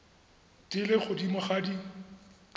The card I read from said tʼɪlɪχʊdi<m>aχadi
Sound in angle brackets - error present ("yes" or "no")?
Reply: no